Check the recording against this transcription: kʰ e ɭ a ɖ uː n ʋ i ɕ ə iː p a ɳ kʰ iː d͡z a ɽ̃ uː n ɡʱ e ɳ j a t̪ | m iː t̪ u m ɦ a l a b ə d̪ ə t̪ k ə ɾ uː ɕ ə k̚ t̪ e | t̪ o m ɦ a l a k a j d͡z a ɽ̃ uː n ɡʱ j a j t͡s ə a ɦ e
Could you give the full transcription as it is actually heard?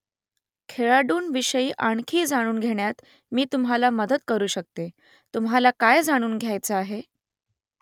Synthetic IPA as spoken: kʰ e ɭ a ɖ uː n ʋ i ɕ ə iː ʔ a ɳ kʰ iː d͡z a ɽ̃ uː n ɡʱ e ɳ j a t̪ | m iː t̪ u m ɦ a l a m ə d̪ ə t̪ k ə ɾ uː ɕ ə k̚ t̪ e | t̪ u m ɦ a l a k a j d͡z a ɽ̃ uː n ɡʱ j a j t͡s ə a ɦ e